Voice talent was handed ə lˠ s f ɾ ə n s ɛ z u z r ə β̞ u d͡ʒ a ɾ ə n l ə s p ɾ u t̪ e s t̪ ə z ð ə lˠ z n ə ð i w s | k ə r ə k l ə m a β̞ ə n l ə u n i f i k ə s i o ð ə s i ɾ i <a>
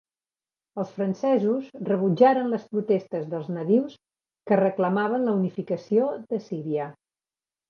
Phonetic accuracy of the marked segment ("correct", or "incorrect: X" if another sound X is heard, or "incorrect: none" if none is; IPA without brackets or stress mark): incorrect: ə